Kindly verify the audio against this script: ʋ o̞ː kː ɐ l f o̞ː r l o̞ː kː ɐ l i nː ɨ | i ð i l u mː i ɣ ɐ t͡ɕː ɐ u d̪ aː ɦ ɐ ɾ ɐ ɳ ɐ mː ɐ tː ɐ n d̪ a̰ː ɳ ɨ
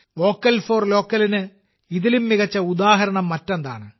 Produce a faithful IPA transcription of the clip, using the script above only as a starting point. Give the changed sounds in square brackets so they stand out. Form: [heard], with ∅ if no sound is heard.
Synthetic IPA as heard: ʋ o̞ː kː ɐ l f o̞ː r l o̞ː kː ɐ l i [n] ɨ | i ð i l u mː i ɣ ɐ t͡ɕː ɐ u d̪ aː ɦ ɐ ɾ ɐ ɳ ɐ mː ɐ tː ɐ n d̪ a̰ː ɳ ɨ

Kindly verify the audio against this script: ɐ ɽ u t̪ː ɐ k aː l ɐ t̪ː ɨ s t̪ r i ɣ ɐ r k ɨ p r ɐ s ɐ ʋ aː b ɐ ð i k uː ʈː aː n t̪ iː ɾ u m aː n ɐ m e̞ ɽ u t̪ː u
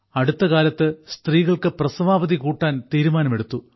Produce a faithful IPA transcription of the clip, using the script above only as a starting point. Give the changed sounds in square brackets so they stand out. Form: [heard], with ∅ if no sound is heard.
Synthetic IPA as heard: ɐ ɽ u t̪ː ɐ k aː l ɐ t̪ː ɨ s t̪ r [iː] ɣ ɐ [ɭ] k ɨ p r ɐ s ɐ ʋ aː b ɐ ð i k uː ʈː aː n t̪ iː ɾ u m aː n ɐ m e̞ ɽ u t̪ː u

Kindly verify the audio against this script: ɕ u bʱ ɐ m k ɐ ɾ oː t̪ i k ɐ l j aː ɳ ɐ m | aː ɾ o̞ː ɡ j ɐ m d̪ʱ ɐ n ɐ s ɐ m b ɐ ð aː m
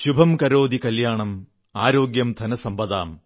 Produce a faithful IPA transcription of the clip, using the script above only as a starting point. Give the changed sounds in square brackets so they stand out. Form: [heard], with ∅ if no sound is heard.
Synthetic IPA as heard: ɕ u bʱ ɐ m k ɐ ɾ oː [d̪] i k ɐ l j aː ɳ ɐ m | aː ɾ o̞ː ɡ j ɐ m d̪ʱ ɐ n ɐ s ɐ m b ɐ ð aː m

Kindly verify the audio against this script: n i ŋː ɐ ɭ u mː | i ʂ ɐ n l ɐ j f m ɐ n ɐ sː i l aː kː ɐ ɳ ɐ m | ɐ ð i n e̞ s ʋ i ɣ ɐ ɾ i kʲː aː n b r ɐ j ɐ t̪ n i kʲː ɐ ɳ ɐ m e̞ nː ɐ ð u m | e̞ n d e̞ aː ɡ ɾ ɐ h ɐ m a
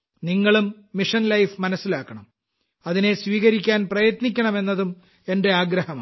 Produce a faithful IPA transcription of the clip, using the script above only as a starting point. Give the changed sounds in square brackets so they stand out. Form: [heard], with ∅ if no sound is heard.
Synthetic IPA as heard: n i ŋː ɐ ɭ u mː | i ʂ ɐ n l ɐ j f m ɐ n ɐ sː i l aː kː ɐ ɳ ɐ m | ɐ ð i n e̞ s ʋ [iː] ɣ ɐ ɾ i kʲː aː n [p] r ɐ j ɐ t̪ n i kʲː ɐ ɳ ɐ m e̞ nː ɐ ð u m | e̞ n d e̞ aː ɡ ɾ ɐ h ɐ m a

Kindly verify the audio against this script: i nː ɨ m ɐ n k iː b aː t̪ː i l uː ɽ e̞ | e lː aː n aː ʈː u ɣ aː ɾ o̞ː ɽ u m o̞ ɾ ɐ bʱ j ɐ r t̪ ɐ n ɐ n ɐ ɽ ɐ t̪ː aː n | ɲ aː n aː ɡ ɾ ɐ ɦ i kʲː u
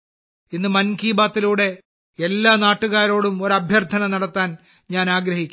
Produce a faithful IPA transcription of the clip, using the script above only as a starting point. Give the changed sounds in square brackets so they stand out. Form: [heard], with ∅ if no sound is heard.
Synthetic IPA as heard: i nː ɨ m ɐ n k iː b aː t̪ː i l uː ɽ e̞ | e lː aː n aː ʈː u ɣ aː ɾ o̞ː ɽ u m o̞ ɾ ɐ bʱ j ɐ r [t̪ʰ] ɐ n ɐ n ɐ ɽ ɐ t̪ː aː n | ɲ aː n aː ɡ ɾ ɐ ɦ i kʲː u

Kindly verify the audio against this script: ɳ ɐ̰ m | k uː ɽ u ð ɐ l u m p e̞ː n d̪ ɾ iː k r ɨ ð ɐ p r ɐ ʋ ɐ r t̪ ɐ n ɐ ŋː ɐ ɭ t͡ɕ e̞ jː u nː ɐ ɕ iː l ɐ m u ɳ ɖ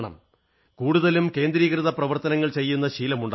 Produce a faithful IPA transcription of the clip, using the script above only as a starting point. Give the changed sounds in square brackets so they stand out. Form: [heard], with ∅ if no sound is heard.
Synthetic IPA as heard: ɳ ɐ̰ m | k uː ɽ u ð ɐ l u m [k] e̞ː n d̪ ɾ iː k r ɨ ð ɐ p r ɐ ʋ ɐ r t̪ ɐ n ɐ ŋː ɐ ɭ t͡ɕ e̞ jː u nː ɐ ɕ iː l ɐ m u ɳ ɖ

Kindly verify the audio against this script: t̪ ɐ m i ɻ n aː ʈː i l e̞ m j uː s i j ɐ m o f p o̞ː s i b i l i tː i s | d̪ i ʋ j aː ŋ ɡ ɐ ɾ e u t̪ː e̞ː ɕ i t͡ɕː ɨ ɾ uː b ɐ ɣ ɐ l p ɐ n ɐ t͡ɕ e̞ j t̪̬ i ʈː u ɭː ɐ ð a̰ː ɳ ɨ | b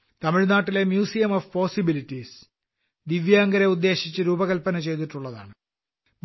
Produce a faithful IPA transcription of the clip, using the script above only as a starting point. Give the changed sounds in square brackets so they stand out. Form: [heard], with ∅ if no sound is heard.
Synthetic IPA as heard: t̪ ɐ m i ɻ n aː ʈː i l e̞ m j uː s i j ɐ m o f p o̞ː s i b i l i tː i s | d̪ i ʋ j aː ŋ ɡ ɐ ɾ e u [d̪ː] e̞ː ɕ i t͡ɕː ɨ ɾ uː b ɐ ɣ ɐ l p ɐ n ɐ t͡ɕ e̞ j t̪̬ i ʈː u ɭː ɐ ð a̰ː ɳ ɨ | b

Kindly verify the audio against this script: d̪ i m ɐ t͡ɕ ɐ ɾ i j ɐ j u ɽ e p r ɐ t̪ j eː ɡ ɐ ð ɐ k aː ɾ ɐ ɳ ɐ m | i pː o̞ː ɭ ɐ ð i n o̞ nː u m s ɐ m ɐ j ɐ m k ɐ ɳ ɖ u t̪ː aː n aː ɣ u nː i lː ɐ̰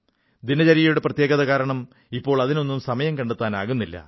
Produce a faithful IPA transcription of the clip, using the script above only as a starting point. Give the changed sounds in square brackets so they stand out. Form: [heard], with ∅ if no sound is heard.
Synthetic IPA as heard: d̪ i [n] ɐ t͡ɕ ɐ ɾ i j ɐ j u ɽ e p r ɐ t̪ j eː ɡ ɐ ð ɐ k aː ɾ ɐ ɳ ɐ m | i pː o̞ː ɭ ɐ ð i n o̞ nː u m s ɐ m ɐ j ɐ m k ɐ ɳ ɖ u t̪ː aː n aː ɣ u nː i lː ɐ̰

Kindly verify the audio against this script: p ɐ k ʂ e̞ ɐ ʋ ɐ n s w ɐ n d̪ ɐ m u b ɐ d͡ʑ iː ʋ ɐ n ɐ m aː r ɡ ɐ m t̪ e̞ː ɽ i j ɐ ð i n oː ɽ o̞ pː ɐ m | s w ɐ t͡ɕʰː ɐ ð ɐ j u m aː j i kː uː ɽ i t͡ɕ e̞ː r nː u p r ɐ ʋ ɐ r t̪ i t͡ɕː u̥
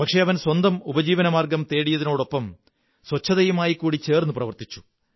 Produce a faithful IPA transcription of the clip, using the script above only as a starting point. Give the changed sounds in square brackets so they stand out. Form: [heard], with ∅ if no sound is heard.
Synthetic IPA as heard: p ɐ k ʂ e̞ ɐ ʋ ɐ n s w ɐ n d̪ ɐ m u b ɐ d͡ʑ iː ʋ ɐ n ɐ m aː r ɡ ɐ m t̪ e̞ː ɽ i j ɐ ð i n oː ɽ o̞ pː ɐ m | s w ɐ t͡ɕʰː ɐ ð ɐ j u m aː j i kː uː ɽ i t͡ɕ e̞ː r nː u p r ɐ ʋ ɐ r t̪ i t͡ɕː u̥

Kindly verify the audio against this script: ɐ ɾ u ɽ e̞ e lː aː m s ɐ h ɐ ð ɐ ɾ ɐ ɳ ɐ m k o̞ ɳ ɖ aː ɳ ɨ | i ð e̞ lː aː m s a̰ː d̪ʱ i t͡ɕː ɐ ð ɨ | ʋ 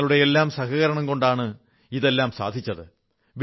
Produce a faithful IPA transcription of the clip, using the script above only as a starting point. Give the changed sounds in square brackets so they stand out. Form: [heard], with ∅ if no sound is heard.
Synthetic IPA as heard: ɐ [ɭ] u ɽ e̞ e lː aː m s ɐ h ɐ [ɣ] ɐ ɾ ɐ ɳ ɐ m k o̞ ɳ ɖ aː ɳ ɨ | i ð e̞ lː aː m s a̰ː d̪ʱ i t͡ɕː ɐ ð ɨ | ʋ

